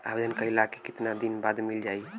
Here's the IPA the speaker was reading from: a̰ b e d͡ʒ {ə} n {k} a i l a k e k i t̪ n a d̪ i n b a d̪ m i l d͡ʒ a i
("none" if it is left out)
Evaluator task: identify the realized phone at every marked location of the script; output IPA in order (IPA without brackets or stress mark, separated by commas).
ə, k